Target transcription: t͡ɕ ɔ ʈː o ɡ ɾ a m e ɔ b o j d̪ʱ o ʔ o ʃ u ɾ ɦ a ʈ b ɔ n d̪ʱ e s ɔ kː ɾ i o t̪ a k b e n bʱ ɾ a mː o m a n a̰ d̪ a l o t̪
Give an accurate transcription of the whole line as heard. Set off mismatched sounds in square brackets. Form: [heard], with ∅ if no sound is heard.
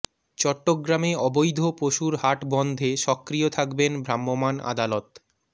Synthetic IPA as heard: t͡ɕ ɔ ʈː o ɡ ɾ a m e ɔ b o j d̪ʱ o [p] o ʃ u ɾ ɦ a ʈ b ɔ n d̪ʱ e [ʃ] ɔ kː ɾ i o [t̪ʰ] a k b e n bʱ ɾ a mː o m a n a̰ d̪ a l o t̪